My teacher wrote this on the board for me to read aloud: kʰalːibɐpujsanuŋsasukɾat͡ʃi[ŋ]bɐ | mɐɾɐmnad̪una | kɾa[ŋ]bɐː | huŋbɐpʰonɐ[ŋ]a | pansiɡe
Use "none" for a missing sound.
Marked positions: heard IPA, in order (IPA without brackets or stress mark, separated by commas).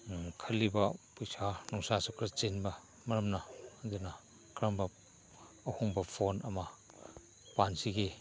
n, m, m